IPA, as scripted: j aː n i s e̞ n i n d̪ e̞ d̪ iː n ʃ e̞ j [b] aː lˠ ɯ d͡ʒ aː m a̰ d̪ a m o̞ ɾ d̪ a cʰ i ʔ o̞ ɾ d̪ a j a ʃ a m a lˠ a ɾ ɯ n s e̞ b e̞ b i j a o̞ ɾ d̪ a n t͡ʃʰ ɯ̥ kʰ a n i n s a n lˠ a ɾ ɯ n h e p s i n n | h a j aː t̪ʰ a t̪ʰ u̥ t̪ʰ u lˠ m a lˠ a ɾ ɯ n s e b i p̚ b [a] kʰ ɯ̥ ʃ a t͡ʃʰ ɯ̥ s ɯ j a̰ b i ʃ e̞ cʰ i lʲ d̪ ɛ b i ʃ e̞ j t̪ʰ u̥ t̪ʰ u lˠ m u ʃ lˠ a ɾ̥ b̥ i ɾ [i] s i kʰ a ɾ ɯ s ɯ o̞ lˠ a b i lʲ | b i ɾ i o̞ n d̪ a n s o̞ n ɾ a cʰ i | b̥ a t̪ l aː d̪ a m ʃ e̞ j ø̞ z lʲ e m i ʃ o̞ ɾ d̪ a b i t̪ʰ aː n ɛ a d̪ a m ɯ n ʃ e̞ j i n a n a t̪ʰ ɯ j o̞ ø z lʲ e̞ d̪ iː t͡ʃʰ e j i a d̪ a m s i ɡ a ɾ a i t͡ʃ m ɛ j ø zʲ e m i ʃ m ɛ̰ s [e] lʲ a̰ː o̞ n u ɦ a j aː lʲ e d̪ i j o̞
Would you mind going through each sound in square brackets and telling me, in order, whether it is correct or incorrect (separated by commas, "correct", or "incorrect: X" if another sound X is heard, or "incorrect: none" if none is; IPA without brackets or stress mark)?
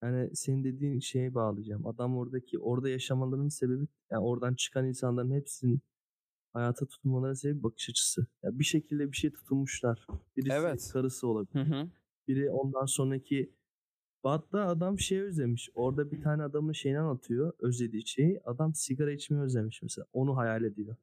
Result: correct, correct, correct, correct